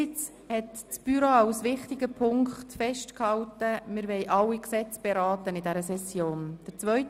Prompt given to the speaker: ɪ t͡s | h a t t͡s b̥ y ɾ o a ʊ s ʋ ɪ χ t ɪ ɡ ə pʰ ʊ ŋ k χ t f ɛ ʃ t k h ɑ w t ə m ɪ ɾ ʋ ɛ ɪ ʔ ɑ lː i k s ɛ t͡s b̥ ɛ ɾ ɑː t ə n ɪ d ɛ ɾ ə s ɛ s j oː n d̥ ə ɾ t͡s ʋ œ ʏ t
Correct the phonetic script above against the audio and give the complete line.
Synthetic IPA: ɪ t͡s | h ɛ t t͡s b̥ y ɾ o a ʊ s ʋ ɪ χ t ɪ ɡ ə pʰ ʊ ŋ k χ t f ɛ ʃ t k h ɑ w t ə m ɪ ɾ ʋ ɛ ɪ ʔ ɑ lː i k s ɛ t͡s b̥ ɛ ɾ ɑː t ə n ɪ d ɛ ɾ ə s ɛ s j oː n d̥ ə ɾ t͡s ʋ œ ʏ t